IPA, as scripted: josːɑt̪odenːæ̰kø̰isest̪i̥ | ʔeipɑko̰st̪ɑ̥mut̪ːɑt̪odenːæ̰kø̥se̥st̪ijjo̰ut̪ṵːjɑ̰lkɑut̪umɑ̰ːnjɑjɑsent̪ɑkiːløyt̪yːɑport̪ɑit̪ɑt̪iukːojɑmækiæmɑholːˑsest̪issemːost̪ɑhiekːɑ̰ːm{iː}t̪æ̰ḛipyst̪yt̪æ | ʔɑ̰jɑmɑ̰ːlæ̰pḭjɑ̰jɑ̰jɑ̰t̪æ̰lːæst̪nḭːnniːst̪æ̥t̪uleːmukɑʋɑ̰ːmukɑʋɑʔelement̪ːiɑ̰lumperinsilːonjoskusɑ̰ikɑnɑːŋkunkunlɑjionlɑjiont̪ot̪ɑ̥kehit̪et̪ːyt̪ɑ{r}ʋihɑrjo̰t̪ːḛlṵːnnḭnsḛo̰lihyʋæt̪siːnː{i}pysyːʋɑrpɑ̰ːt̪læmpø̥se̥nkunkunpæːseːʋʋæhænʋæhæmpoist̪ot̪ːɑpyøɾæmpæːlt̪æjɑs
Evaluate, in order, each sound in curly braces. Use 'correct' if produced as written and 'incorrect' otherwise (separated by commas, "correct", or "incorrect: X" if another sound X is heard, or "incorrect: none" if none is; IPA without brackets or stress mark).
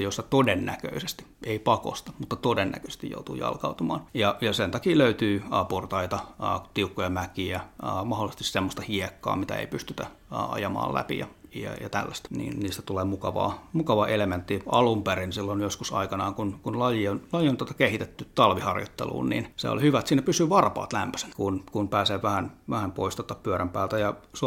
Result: incorrect: i, incorrect: l, incorrect: æ